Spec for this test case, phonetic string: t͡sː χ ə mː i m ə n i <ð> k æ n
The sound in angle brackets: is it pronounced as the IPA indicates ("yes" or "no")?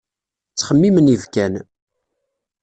no